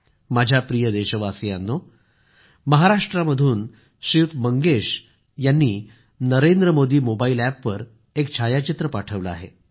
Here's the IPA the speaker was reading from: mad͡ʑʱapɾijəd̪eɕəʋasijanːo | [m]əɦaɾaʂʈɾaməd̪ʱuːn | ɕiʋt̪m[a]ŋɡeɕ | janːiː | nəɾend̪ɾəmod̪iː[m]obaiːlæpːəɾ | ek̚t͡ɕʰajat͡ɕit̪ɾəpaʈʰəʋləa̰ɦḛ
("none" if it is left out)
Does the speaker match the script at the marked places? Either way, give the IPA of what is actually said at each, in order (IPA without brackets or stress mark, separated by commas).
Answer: m, ə, m